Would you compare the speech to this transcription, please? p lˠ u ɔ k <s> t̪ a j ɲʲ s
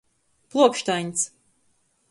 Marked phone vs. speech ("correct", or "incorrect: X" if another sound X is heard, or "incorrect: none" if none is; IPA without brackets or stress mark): incorrect: ʃ